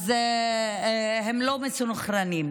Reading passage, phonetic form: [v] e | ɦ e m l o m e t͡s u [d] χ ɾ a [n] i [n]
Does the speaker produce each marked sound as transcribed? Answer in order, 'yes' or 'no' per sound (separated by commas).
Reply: no, no, yes, no